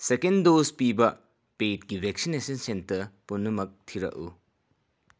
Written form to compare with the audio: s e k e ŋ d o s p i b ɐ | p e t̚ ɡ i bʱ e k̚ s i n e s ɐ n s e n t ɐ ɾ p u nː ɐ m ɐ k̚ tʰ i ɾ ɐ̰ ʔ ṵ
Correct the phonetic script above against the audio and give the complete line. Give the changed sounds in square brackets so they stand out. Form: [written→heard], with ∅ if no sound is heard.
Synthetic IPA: s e k e [ŋ→n] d o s p i b ɐ | p e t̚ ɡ i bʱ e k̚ s i n e s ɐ n s e n t ɐ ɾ p u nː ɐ m ɐ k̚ tʰ i ɾ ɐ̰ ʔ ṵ